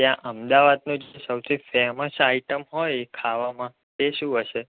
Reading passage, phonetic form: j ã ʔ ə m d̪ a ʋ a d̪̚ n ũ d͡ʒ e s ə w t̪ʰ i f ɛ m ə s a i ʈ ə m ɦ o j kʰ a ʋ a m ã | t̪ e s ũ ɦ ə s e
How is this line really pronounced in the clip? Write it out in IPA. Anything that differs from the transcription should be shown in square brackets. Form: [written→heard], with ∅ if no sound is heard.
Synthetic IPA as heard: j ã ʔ ə m d̪ a ʋ a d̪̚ n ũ d͡ʒ e s ə w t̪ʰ i f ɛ m ə s a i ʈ ə m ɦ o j kʰ a ʋ a m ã | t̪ e [s→ʃ] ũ ɦ ə [s→ʃ] e